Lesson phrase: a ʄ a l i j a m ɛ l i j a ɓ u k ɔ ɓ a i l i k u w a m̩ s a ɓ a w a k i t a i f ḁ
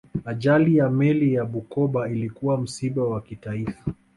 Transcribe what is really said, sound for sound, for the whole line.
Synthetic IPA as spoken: a ʄ a l i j a m ɛ l i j a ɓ u k ɔ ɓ a i l i k u w a m̩ s i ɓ a w a k i t a i f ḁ

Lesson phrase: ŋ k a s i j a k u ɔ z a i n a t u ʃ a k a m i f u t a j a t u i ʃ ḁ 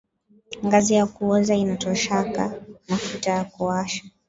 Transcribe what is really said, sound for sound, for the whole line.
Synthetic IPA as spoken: ŋ ɡ a z i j a k u ɔ z a i n a t ɔ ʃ a k a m a f u t a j a k u a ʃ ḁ

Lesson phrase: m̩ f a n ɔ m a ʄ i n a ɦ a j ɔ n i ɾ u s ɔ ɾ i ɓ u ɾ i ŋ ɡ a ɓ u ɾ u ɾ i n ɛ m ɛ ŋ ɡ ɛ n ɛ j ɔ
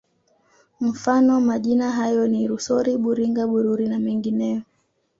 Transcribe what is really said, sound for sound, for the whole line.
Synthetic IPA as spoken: m̩ f a n ɔ m a ʄ i n a ɦ a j ɔ n i ɾ u s ɔ ɾ i ɓ u ɾ i ŋ ɡ a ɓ u ɾ u ɾ i n a m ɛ ŋ ɡ i n ɛ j ɔ

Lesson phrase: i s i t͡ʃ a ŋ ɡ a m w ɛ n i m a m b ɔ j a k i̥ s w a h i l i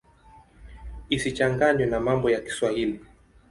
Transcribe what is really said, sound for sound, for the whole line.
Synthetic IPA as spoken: i s i t͡ʃ a ŋ ɡ a ɲ w ɛ n a m a m b ɔ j a k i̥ s w a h i l i

